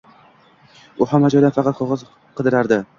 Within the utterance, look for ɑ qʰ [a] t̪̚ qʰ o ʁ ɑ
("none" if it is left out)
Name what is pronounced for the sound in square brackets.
ɑ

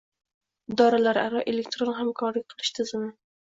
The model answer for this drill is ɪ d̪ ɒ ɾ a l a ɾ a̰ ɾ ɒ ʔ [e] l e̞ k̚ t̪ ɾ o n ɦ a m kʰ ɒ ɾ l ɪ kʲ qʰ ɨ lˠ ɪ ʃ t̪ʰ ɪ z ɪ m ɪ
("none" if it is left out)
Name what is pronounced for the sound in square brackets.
e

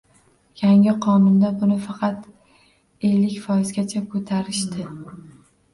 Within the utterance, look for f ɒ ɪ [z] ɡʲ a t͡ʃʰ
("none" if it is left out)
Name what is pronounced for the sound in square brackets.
z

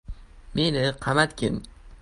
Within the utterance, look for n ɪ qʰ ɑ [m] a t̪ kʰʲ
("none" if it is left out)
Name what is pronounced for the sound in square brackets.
m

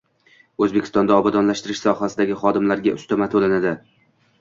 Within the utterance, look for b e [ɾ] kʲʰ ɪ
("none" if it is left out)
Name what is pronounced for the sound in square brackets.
none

